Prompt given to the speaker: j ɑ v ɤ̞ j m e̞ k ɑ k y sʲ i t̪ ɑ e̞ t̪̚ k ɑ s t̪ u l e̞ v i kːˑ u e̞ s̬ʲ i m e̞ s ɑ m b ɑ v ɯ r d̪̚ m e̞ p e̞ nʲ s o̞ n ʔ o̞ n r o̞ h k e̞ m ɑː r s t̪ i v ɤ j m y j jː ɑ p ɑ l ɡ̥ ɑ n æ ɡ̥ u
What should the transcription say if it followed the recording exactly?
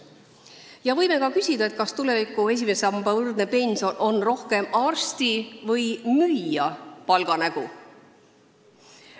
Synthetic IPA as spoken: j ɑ v ɤ̞ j m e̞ k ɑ k y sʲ i d̪ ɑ e̞ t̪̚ k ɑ s t̪ u l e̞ v i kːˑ u e̞ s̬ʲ i m e̞ s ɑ m b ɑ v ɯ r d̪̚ n e̞ p e̞ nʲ s o̞ n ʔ o̞ n r o̞ h k e̞ m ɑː r s t̪ i v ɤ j m y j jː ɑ p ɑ l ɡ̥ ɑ n æ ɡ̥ u